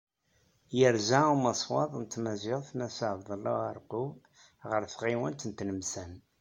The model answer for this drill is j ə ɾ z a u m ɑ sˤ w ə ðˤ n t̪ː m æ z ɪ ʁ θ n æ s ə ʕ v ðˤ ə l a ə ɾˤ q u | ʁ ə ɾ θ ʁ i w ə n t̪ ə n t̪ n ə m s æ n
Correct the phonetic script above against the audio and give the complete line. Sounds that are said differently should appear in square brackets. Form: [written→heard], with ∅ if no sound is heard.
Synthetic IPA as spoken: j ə ɾ z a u m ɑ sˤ w [ə→ɑ] ðˤ n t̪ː m æ z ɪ ʁ θ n æ s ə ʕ v ðˤ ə l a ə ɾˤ q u | ʁ ə ɾ θ ʁ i w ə n t̪ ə n t̪ n ə m s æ n